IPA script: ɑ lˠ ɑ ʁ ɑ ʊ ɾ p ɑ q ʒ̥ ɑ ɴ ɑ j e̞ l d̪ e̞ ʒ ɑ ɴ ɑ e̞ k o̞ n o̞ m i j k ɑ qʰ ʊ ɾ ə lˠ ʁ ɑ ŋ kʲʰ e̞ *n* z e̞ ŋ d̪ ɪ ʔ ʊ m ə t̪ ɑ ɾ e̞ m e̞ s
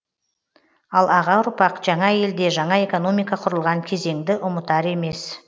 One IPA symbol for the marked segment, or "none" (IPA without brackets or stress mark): none